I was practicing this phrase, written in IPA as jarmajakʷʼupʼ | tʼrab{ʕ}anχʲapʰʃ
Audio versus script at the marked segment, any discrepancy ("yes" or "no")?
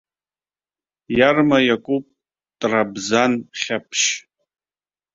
yes